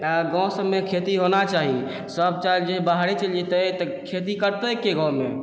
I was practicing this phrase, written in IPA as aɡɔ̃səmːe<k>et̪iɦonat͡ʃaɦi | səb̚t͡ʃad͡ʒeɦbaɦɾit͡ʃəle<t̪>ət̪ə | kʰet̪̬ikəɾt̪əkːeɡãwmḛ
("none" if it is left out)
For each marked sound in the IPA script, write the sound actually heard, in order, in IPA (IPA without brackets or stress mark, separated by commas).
kʰ, t̪